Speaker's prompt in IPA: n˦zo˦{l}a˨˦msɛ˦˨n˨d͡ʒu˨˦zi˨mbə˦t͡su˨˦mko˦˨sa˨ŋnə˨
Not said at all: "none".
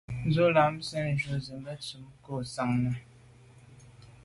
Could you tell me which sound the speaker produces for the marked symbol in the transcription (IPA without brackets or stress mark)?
l